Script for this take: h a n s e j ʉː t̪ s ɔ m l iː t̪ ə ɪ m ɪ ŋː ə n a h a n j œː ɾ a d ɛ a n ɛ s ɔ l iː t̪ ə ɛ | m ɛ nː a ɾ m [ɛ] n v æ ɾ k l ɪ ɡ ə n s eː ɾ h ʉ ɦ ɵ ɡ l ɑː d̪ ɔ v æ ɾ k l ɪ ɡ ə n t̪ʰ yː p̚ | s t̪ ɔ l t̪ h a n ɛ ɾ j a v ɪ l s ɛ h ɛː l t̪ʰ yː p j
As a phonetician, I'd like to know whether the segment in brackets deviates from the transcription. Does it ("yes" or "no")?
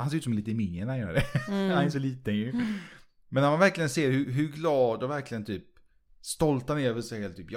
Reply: yes